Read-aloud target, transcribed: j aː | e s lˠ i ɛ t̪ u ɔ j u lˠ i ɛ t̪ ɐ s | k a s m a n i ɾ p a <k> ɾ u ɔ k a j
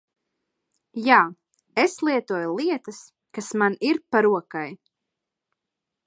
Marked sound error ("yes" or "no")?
yes